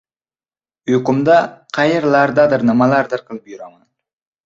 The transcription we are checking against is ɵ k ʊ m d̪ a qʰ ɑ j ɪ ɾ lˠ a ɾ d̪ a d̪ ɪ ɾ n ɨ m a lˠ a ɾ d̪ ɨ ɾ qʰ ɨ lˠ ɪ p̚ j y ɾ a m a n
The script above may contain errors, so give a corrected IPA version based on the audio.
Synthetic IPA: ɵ k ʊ m d̪ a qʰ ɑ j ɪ ɾ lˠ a ɾ d̪ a d̪ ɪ ɾ n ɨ m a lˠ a ɾ d̪ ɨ ɾ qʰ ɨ lˠ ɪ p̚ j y ɾ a m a n

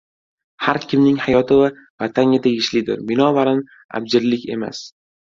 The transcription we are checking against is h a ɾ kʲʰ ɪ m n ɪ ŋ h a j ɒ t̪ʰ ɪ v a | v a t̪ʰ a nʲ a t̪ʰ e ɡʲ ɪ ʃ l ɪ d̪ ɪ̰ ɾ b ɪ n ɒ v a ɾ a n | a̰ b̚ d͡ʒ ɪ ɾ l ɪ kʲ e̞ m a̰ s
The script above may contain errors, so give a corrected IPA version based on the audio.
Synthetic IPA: h a ɾ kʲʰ ɪ m n ɪ ŋ h a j ɒ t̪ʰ ɪ v a | v a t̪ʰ a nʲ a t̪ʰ e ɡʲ ɪ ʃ l ɪ d̪ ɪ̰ ɾ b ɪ n ɒ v a ɾ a n | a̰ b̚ d͡ʒ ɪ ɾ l ɪ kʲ e̞ m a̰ s

